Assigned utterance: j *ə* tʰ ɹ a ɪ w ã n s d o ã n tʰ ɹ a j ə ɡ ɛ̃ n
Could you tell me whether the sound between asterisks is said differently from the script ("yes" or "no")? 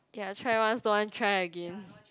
yes